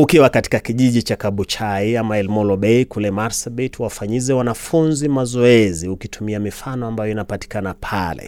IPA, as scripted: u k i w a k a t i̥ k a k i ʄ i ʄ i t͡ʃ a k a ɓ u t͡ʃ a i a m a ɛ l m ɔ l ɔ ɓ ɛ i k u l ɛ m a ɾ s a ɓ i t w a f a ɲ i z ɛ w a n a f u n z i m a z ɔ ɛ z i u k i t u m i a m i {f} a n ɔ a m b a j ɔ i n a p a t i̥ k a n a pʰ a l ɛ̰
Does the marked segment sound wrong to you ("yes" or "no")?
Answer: no